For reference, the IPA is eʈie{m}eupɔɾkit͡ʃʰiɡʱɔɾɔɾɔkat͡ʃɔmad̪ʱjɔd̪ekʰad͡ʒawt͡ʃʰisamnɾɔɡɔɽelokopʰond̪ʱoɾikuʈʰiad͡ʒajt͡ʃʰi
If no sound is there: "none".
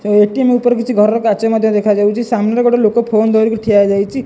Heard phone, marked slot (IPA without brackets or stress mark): m